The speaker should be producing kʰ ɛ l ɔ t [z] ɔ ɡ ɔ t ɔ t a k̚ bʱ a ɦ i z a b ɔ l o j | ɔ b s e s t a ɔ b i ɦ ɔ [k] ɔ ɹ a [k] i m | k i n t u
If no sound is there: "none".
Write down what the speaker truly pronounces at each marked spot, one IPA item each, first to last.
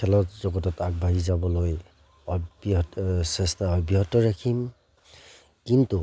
z, t, kʰ

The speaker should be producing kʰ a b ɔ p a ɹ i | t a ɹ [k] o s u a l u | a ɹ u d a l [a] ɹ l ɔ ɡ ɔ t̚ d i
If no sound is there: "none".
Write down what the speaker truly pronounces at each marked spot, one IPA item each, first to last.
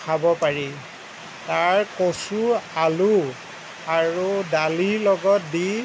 k, i

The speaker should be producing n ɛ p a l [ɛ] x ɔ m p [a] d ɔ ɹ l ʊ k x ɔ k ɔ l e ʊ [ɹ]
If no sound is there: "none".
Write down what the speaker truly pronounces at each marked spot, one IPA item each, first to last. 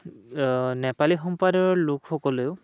i, a, none

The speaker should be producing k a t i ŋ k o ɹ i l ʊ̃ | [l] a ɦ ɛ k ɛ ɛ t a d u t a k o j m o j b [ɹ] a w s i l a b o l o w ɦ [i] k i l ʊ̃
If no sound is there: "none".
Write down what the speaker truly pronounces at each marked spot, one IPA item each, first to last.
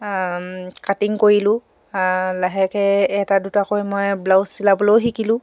l, l, i

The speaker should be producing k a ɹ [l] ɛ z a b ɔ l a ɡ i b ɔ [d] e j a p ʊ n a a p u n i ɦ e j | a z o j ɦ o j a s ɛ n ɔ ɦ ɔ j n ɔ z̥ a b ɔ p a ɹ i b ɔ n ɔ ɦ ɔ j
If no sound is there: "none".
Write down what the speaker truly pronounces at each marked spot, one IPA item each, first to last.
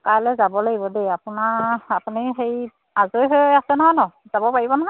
l, d

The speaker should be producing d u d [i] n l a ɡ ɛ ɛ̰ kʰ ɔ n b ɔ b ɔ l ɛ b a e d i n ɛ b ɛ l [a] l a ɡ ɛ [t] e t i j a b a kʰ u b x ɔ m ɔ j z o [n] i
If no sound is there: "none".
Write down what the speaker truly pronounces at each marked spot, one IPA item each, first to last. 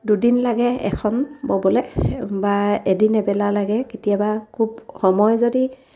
i, a, k, d

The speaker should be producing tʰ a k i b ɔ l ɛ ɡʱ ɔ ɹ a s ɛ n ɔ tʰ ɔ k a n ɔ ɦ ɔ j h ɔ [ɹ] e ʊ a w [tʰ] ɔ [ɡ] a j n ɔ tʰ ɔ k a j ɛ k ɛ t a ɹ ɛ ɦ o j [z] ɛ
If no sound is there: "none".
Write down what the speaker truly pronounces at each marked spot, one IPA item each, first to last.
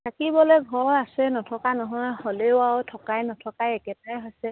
l, tʰ, k, s

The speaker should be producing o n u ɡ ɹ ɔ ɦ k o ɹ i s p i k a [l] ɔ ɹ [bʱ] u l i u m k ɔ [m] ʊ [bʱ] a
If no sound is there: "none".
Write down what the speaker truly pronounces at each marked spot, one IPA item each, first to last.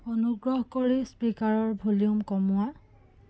ɹ, bʱ, m, none

